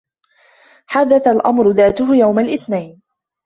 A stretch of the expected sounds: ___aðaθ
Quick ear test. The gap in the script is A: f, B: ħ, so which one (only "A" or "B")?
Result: B